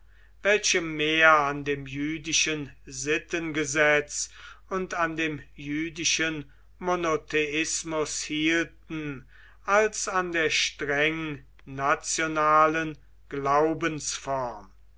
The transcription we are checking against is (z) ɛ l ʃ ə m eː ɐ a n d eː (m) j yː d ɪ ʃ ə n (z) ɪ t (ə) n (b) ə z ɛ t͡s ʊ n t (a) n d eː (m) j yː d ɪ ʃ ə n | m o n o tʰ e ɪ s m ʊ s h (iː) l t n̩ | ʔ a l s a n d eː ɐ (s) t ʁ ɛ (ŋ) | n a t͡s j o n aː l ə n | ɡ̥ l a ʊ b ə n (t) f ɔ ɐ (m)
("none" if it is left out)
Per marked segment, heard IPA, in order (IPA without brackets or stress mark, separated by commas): v, m, z, ə, ɡ, a, m, iː, ʃ, ŋ, s, m